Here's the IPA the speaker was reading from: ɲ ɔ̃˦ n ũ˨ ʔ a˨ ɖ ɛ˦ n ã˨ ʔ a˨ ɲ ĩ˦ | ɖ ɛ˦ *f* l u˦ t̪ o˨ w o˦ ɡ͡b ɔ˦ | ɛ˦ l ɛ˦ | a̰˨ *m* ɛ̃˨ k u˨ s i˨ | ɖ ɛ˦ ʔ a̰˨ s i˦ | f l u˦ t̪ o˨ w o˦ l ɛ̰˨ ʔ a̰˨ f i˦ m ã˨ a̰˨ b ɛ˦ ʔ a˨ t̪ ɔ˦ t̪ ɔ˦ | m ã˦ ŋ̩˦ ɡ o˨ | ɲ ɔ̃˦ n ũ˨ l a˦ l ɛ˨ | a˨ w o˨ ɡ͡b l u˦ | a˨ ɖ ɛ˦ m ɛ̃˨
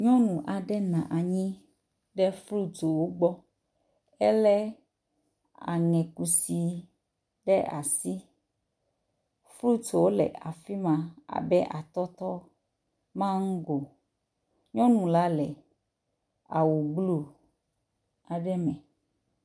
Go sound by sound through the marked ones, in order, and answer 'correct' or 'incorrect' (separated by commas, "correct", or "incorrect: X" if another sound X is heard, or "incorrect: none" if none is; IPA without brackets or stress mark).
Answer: correct, incorrect: ŋ